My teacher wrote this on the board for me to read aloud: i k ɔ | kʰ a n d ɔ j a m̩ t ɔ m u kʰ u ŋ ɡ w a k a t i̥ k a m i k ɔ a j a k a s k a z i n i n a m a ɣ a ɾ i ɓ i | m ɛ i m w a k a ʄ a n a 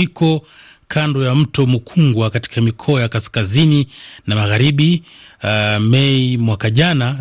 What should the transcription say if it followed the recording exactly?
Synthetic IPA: i k ɔ | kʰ a n d ɔ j a m̩ t ɔ m u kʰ u ŋ ɡ w a k a t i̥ k a m i kʰ ɔ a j a k a s k a z i n i n a m a ɣ a ɾ i ɓ i | m ɛ i m w a k a ʄ a n a